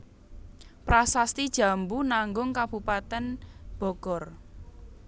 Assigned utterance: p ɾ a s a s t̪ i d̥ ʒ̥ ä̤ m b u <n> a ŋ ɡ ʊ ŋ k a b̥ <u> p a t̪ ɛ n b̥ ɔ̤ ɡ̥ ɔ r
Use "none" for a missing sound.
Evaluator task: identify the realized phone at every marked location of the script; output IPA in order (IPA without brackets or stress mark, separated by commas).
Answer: n, u